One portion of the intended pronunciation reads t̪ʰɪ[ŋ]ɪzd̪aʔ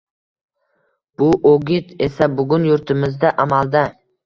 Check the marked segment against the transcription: incorrect: m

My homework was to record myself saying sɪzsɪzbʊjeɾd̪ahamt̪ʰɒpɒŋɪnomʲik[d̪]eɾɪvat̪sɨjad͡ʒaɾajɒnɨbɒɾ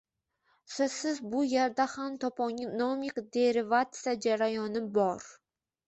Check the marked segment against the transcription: correct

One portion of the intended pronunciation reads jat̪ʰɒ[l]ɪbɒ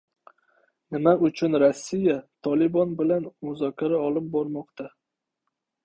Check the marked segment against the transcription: correct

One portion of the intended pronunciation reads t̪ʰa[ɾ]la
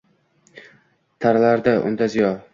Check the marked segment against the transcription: correct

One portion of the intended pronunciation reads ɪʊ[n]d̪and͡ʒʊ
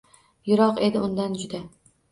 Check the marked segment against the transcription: correct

